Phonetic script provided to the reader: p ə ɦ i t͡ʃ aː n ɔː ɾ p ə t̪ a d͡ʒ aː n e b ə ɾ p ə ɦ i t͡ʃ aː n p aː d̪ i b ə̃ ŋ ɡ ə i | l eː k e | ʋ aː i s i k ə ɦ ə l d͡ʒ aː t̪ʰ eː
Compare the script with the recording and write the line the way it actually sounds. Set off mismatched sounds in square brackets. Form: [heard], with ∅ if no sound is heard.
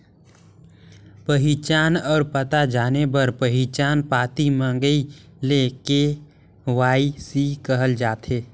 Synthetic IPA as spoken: p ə ɦ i t͡ʃ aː n ɔː ɾ p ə t̪ a d͡ʒ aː n e b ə ɾ p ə ɦ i t͡ʃ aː n p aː [t̪] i [m] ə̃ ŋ ɡ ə i | l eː k e | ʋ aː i s i k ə ɦ ə l d͡ʒ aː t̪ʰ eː